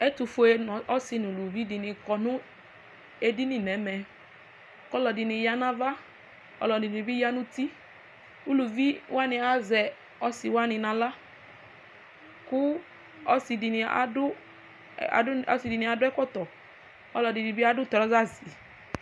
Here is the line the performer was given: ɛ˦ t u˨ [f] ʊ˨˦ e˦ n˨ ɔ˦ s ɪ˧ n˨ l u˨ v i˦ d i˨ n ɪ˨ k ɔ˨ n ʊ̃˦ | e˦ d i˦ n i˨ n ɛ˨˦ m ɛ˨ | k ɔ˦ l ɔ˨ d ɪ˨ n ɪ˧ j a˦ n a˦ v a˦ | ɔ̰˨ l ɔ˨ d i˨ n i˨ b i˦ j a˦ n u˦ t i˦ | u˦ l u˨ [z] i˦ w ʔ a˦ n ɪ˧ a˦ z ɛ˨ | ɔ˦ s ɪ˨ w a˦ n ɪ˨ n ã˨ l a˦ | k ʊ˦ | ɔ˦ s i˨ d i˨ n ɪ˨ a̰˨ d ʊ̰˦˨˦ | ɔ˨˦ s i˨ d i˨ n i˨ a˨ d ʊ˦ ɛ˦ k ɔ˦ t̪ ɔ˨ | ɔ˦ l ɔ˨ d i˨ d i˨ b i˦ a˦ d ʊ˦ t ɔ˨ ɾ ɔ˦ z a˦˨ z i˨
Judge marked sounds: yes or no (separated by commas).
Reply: yes, no